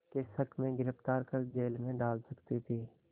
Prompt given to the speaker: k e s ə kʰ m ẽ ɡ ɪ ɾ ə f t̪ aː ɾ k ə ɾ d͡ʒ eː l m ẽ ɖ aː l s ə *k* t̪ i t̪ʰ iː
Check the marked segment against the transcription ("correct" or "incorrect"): correct